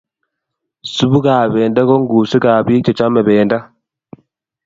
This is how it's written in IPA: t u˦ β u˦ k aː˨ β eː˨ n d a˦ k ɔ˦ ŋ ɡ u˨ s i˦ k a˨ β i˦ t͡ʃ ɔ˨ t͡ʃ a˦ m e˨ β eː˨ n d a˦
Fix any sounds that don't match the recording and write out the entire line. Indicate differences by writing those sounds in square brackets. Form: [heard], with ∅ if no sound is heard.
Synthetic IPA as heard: [s] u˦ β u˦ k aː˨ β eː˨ n d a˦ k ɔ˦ ŋ ɡ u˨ s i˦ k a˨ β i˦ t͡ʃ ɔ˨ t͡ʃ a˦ m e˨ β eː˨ n d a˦